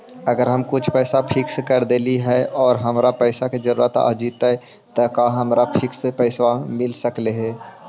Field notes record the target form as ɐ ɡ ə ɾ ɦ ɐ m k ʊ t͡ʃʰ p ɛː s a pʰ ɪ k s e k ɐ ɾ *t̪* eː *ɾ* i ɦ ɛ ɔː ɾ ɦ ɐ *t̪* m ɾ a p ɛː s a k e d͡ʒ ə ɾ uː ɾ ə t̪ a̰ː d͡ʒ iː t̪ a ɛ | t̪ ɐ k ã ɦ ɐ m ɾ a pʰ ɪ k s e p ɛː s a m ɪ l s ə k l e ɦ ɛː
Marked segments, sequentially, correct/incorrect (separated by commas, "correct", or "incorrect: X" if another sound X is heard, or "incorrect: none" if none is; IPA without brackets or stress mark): incorrect: d̪, incorrect: l, incorrect: none